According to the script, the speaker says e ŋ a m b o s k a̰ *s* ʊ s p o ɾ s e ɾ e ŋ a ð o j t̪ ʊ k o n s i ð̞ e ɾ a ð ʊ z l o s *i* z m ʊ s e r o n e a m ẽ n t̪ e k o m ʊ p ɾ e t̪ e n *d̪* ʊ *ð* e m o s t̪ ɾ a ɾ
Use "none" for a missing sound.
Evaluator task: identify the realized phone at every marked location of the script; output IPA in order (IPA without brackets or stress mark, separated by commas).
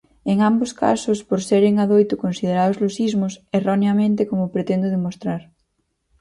s, i, d̪, ð